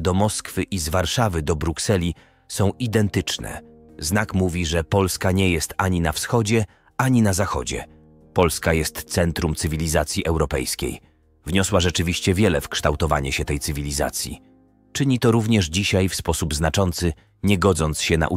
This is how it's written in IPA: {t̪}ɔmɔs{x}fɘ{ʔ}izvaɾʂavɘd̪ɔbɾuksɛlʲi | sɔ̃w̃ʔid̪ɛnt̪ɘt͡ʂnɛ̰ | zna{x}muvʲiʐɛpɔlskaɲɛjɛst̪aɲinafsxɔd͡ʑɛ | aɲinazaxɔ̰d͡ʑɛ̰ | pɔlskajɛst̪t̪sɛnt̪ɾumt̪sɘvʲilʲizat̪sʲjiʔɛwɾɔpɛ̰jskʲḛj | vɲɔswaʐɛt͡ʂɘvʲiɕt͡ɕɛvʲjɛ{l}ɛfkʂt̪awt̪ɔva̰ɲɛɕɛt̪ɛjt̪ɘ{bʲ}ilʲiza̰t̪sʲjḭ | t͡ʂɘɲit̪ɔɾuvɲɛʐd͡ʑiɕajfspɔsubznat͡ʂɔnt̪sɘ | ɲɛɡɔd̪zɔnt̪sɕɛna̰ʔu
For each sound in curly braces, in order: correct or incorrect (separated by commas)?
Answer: incorrect, incorrect, correct, incorrect, correct, incorrect